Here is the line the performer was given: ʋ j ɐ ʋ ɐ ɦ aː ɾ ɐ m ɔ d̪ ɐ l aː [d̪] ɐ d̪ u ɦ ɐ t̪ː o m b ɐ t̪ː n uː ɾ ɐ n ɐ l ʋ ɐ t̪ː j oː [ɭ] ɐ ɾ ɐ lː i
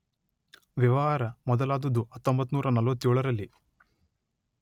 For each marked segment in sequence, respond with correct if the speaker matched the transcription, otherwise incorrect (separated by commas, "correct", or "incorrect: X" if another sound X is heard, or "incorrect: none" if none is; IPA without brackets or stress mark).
correct, correct